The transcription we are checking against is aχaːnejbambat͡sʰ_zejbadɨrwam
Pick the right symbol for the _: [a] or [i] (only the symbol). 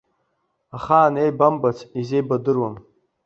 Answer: i